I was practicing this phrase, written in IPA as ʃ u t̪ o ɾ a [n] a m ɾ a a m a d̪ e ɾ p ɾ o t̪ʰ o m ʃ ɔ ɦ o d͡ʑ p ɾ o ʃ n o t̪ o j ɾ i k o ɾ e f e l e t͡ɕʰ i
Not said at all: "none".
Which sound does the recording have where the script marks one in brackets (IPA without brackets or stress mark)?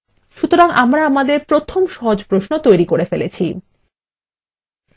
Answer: ŋ